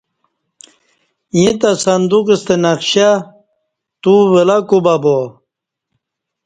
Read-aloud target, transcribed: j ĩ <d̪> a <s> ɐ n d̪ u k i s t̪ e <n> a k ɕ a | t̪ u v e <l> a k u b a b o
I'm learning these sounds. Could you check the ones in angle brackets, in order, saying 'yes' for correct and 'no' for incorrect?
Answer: no, yes, yes, yes

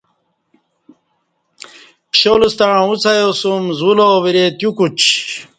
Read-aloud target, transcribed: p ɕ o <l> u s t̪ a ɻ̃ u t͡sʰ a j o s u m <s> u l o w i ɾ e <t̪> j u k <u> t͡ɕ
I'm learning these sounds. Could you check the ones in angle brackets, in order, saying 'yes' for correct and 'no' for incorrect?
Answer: yes, no, yes, yes

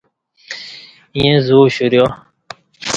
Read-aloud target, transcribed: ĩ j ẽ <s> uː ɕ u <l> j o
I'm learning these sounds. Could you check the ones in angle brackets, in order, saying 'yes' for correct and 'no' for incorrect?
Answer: no, no

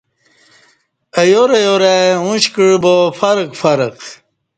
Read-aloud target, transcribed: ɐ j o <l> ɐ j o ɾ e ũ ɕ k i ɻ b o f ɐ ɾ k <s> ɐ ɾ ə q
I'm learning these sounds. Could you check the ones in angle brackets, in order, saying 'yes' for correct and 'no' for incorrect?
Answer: no, no

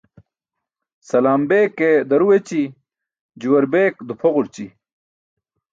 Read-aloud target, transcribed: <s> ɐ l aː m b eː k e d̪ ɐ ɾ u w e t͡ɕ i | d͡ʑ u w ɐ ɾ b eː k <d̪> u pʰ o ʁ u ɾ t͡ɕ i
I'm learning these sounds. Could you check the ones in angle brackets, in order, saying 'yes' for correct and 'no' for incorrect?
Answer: yes, yes

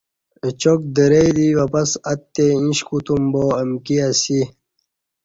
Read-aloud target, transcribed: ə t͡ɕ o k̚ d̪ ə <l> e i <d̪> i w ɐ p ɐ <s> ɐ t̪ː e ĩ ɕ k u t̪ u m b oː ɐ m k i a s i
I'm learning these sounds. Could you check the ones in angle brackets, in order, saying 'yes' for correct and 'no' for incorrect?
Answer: no, yes, yes

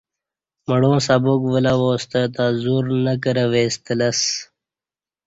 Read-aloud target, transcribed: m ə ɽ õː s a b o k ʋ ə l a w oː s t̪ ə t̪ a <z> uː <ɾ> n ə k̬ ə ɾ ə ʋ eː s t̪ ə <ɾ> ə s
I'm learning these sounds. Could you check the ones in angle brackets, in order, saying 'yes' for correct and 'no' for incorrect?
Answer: yes, yes, no

